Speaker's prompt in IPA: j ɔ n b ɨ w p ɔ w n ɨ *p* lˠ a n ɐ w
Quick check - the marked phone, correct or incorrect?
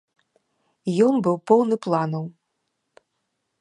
correct